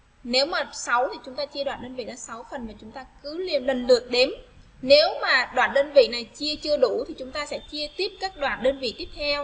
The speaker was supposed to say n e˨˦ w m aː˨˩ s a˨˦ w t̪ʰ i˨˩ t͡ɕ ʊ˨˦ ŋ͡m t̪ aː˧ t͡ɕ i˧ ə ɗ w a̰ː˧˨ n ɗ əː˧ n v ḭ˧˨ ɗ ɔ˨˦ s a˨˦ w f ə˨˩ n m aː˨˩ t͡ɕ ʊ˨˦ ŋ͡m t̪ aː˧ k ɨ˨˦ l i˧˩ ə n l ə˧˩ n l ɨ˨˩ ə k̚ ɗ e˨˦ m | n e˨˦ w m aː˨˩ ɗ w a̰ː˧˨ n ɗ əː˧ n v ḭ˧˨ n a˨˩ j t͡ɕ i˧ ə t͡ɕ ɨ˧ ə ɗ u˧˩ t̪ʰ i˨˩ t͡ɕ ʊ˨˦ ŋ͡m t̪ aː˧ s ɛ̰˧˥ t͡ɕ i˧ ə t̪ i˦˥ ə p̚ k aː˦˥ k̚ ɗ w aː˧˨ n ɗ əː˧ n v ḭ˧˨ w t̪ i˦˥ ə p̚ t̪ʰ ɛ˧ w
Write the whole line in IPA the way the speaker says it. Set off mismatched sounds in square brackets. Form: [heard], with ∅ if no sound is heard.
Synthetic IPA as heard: n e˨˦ w m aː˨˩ s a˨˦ w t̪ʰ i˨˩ t͡ɕ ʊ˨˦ ŋ͡m t̪ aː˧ t͡ɕ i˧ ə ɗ w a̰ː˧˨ n ɗ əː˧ n v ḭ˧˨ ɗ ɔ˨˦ s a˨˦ w f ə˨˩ n m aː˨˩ t͡ɕ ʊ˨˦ ŋ͡m t̪ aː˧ k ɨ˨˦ l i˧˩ ə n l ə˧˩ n l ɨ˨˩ ə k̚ ɗ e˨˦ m | n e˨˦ w m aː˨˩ ɗ w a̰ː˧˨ n ɗ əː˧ n v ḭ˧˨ n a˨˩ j t͡ɕ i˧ ə t͡ɕ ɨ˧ ə ɗ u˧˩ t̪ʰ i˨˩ t͡ɕ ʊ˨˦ ŋ͡m t̪ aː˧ s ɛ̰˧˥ t͡ɕ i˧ ə t̪ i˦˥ ə p̚ k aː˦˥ k̚ ɗ w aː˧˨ n ɗ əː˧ n v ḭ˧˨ [∅] t̪ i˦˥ ə p̚ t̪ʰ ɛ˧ w